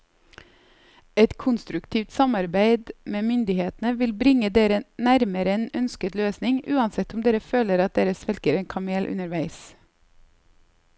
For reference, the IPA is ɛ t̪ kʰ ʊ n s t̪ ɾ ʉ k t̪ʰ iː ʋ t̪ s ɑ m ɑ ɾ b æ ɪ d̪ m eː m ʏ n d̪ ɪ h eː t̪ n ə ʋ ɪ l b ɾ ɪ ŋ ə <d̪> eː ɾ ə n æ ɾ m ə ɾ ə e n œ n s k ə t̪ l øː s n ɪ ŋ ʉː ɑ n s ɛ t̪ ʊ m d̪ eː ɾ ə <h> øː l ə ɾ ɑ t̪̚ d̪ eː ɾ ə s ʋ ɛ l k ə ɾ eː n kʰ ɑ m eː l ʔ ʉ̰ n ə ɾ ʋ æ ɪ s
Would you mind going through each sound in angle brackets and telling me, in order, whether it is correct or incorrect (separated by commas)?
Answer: correct, incorrect